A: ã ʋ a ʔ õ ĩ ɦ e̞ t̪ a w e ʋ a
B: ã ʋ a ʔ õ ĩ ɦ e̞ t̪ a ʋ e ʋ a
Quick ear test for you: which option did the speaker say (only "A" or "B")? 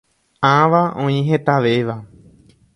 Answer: B